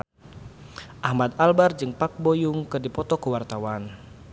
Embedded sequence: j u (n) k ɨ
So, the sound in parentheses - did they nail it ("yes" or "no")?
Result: no